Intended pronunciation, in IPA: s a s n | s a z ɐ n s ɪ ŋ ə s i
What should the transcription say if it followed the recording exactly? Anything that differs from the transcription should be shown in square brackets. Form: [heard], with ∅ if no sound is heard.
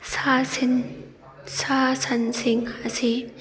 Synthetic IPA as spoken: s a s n | s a [s] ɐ n s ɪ ŋ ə s i